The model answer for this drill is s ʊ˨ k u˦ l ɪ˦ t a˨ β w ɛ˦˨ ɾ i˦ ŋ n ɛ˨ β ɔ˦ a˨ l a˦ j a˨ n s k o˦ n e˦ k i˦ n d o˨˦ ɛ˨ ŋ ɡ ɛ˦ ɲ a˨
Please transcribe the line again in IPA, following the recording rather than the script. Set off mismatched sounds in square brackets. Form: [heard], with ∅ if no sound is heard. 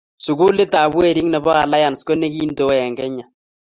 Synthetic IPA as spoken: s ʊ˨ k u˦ l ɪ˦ t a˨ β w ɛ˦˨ ɾ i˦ ŋ n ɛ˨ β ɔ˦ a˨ l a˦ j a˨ n s k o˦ n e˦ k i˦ n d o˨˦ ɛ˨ ŋ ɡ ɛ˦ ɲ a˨